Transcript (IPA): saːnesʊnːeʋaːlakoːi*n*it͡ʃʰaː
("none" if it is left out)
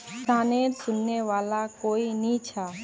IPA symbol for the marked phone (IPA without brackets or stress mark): n